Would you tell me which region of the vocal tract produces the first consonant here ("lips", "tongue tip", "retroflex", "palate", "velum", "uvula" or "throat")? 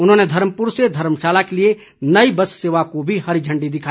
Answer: tongue tip